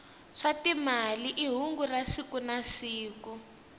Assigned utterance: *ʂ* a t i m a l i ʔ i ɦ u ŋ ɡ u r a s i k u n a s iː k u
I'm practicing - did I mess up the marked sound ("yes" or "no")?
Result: no